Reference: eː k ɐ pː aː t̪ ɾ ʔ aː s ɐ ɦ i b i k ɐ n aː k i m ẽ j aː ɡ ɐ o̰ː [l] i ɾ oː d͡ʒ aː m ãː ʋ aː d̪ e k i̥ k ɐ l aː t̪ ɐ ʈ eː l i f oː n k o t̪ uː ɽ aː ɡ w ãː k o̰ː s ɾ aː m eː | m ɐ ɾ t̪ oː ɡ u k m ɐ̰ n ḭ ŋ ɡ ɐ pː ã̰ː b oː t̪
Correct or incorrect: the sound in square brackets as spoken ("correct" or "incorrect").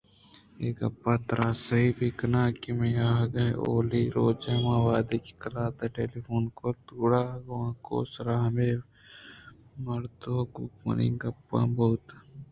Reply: correct